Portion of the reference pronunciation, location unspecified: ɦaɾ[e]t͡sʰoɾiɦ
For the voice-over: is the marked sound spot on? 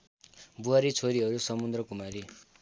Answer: no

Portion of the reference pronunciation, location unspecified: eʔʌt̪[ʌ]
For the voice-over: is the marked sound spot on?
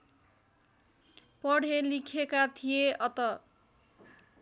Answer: yes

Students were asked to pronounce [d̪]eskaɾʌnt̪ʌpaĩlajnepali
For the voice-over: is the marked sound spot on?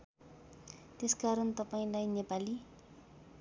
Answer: no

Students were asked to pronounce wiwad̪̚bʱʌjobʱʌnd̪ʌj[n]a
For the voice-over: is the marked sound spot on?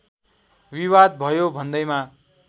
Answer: no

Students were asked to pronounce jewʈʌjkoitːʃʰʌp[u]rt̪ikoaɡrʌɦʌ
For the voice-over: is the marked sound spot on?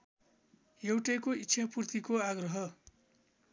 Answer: yes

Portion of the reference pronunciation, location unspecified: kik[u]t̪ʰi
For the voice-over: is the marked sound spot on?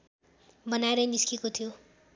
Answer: no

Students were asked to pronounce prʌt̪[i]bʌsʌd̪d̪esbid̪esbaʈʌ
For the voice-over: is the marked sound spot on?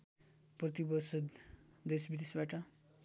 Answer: yes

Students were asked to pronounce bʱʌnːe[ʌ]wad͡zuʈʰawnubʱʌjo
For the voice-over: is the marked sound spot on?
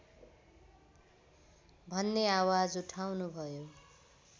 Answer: no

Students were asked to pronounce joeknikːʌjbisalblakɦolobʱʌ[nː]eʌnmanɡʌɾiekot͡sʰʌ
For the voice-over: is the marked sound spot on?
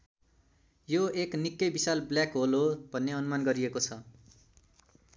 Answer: yes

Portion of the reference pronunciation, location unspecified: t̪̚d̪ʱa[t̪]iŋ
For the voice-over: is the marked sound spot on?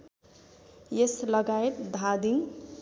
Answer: no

